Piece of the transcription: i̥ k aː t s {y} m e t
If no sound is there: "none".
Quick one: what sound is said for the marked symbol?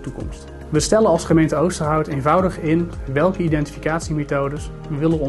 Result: i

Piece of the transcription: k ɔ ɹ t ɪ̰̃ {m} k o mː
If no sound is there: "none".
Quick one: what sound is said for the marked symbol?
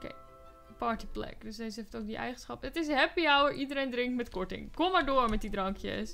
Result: ŋ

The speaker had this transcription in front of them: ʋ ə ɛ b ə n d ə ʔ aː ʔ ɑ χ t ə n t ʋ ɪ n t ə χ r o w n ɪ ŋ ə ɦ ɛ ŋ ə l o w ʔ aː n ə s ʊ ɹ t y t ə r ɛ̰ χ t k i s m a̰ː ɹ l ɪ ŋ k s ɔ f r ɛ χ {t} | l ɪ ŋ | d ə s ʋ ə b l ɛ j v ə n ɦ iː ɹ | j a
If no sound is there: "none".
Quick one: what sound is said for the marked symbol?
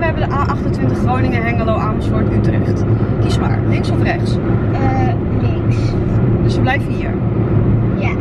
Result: s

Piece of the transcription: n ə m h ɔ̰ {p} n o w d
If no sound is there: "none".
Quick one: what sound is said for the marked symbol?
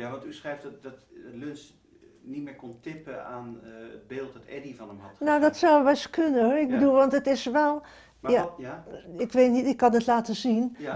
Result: t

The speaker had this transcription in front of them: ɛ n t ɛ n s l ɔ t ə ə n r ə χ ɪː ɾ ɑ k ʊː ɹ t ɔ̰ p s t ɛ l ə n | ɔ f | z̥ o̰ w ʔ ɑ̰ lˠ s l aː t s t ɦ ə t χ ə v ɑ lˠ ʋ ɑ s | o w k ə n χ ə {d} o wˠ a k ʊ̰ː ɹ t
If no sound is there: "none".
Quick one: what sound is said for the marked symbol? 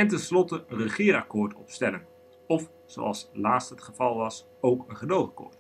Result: d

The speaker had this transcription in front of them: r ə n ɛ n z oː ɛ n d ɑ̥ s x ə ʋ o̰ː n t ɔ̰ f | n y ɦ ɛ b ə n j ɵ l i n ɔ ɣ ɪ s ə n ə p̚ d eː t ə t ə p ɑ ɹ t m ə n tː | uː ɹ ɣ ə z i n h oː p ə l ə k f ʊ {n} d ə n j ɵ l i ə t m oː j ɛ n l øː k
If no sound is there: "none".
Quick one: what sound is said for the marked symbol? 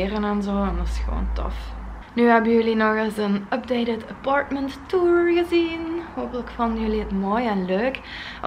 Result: n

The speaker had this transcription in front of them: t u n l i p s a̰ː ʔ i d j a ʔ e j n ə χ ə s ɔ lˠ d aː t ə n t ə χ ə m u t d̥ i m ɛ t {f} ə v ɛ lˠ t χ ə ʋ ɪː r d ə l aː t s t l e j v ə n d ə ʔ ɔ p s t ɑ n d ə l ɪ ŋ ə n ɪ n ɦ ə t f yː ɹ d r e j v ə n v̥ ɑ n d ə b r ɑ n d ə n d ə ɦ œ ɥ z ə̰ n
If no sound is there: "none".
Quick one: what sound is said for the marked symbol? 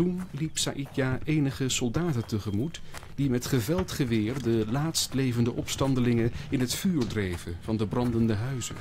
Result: χ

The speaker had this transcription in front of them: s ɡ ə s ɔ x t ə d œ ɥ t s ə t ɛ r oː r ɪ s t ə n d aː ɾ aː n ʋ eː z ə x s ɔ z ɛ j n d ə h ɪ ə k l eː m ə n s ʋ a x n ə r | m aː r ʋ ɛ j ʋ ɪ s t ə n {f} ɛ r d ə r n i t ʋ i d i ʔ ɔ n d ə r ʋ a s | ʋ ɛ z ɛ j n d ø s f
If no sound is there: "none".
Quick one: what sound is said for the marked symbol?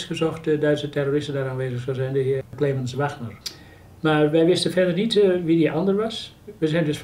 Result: f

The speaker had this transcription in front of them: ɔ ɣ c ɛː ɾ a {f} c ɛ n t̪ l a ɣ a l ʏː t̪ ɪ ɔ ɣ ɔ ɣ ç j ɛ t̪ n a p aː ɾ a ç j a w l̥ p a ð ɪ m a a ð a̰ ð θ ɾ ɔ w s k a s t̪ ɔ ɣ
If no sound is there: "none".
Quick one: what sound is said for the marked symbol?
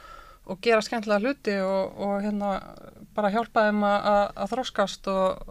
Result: s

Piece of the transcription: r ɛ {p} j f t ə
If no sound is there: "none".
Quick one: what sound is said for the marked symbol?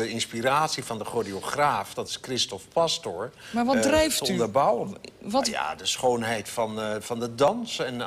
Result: none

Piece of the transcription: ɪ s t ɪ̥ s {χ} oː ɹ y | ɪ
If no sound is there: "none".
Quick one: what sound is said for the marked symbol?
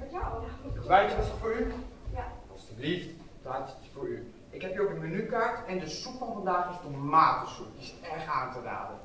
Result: f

